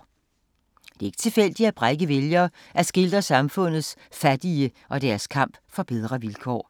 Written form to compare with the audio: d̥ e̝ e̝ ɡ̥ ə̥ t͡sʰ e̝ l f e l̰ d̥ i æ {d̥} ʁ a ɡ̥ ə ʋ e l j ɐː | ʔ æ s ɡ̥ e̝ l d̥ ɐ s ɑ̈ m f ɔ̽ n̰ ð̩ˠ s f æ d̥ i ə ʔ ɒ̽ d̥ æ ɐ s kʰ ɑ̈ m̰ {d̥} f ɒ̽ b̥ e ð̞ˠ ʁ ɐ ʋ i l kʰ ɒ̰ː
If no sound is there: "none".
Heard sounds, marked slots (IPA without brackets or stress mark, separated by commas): b̥, b̥